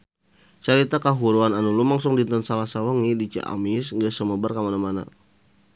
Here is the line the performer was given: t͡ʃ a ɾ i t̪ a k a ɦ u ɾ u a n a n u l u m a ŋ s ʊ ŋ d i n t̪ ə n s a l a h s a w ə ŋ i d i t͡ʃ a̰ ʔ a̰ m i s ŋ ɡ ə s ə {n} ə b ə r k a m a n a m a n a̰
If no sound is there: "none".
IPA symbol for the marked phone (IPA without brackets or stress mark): m